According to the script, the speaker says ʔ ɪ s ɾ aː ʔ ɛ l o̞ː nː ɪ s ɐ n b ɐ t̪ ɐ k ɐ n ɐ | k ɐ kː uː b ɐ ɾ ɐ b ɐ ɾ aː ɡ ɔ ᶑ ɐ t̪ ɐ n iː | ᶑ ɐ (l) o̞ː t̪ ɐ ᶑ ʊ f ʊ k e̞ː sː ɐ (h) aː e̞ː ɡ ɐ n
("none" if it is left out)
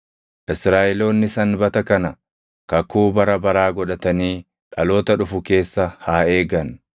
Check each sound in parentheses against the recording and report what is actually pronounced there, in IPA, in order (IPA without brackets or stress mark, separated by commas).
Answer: l, h